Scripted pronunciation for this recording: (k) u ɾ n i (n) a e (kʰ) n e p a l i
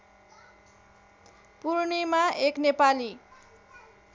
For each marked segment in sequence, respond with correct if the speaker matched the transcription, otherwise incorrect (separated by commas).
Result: incorrect, incorrect, incorrect